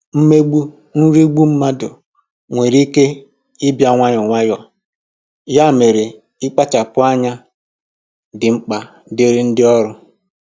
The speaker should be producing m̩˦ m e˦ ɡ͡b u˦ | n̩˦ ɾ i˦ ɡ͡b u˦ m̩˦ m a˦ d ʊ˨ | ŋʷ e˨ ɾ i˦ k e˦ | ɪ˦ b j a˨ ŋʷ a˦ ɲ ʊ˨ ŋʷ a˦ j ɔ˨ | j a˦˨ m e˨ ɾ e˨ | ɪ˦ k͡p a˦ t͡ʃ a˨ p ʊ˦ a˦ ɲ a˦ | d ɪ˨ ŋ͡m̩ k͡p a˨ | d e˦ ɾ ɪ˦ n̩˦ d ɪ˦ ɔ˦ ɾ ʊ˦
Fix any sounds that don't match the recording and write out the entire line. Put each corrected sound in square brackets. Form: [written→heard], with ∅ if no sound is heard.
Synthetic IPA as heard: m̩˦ m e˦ ɡ͡b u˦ | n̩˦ ɾ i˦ ɡ͡b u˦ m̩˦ m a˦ d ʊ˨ | ŋʷ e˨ ɾ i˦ k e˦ | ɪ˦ b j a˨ ŋʷ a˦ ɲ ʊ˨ ŋʷ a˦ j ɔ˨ | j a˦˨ m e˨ ɾ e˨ | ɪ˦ k͡p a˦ t͡ʃ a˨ p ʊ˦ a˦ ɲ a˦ | d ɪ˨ ŋ͡m̩ k͡p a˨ | d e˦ ɾ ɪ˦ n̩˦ d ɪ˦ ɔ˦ ɾ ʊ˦